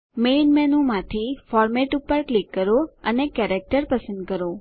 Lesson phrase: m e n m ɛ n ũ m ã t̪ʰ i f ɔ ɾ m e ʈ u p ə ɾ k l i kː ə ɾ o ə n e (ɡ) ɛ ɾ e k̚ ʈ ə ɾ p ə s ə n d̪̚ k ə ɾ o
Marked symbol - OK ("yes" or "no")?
no